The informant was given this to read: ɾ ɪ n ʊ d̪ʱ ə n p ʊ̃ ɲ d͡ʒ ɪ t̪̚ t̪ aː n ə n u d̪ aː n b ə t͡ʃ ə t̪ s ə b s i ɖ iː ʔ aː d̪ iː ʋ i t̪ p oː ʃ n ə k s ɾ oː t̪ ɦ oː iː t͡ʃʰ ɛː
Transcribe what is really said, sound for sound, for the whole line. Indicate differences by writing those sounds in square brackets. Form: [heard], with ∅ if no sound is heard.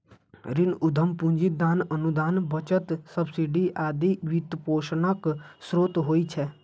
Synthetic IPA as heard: ɾ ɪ n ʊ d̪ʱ ə [m] p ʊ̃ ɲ d͡ʒ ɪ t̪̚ [d̪] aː n ə n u d̪ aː n b ə t͡ʃ ə t̪ s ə b s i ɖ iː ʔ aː d̪ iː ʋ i t̪ p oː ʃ n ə k s ɾ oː t̪ ɦ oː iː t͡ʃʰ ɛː